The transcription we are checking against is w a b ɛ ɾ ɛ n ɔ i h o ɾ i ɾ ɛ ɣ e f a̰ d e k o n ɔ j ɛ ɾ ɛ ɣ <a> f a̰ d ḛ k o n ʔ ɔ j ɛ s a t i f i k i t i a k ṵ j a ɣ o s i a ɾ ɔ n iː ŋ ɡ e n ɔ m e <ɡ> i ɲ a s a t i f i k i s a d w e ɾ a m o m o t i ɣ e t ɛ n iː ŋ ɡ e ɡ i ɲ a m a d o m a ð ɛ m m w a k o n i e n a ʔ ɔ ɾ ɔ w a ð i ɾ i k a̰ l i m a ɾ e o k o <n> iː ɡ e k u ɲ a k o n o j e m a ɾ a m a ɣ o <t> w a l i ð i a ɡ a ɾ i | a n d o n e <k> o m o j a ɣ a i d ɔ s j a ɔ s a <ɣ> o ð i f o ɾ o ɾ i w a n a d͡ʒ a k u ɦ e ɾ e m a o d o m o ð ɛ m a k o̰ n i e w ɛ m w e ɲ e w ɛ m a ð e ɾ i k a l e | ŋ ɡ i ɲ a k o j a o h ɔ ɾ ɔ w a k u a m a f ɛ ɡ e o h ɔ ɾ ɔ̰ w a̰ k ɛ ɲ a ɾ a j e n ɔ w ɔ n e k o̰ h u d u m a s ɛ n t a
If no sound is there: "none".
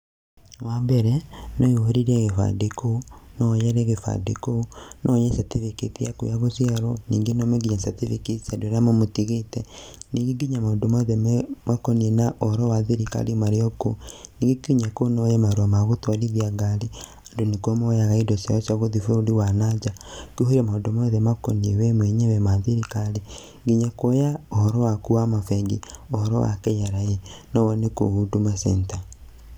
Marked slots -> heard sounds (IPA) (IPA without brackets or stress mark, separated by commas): e, ɡ, n, t, k, ɣ